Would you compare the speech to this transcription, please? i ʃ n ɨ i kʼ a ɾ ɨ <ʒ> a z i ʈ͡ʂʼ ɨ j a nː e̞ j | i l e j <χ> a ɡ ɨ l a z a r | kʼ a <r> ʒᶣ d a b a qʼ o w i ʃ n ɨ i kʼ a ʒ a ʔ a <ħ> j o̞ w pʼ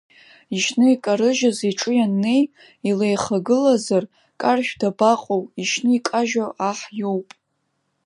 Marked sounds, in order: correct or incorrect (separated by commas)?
correct, correct, correct, correct